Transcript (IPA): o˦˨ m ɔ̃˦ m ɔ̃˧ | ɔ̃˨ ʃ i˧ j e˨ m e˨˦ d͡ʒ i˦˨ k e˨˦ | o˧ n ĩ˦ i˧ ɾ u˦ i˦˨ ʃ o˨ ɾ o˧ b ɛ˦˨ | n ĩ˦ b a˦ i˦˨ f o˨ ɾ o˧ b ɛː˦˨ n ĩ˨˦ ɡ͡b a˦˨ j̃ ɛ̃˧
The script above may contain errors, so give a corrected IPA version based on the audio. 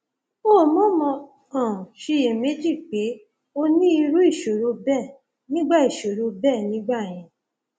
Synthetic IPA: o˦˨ m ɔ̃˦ m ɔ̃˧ | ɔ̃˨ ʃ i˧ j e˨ m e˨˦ d͡ʒ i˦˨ k͡p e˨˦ | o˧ n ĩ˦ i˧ ɾ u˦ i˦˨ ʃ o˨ ɾ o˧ b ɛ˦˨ | n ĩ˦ ɡ͡b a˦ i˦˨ ʃ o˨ ɾ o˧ b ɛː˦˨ n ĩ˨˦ ɡ͡b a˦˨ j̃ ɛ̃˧